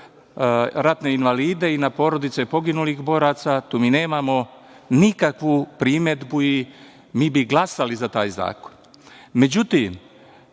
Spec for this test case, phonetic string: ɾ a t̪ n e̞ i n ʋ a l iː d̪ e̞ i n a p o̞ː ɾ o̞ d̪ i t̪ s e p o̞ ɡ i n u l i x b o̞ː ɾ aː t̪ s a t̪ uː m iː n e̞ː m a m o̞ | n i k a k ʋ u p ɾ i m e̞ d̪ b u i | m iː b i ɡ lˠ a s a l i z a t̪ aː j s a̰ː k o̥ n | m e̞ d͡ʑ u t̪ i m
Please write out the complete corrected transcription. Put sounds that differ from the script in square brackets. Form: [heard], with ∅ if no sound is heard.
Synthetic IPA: ɾ a t̪ n e̞ i n ʋ a l iː d̪ e̞ i n a p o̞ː ɾ o̞ d̪ i t̪ s e p o̞ ɡ i n u l i x b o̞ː ɾ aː t̪ s a t̪ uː m iː n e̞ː m a m o̞ | n i k a k ʋ u p ɾ i m e̞ d̪ b u i | m iː b i ɡ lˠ a s a l i z a t̪ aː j [z] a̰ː k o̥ n | m e̞ d͡ʑ u t̪ i m